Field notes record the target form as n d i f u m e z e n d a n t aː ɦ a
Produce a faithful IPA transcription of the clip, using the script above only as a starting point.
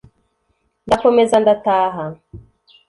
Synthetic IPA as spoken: n d a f o m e z a n d a t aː ɦ a